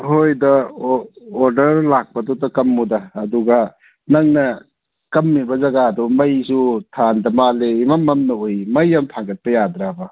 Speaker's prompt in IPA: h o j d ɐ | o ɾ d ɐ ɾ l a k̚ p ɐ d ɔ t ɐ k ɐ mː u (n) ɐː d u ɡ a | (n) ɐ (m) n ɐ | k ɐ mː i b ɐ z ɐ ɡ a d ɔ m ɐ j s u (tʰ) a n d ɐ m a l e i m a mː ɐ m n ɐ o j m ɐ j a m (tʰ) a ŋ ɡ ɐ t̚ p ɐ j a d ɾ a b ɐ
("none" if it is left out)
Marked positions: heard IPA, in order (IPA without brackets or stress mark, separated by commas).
d, n, ŋ, tʰ, tʰ